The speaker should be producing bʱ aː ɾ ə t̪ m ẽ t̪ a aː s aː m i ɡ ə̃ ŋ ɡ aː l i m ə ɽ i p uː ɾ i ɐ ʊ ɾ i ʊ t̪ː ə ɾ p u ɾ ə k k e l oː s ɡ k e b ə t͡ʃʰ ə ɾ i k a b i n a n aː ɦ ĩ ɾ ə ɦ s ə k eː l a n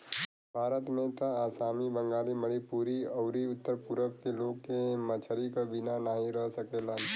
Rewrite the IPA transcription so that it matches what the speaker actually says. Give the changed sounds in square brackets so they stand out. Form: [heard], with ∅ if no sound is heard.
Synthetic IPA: bʱ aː ɾ ə t̪ m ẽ t̪ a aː s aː m i [b] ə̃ ŋ ɡ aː l i m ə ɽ i p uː ɾ i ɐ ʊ ɾ i ʊ t̪ː ə ɾ p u ɾ ə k k e l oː [∅] ɡ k e [m] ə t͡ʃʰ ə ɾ i k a b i n a n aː ɦ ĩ ɾ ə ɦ s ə k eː l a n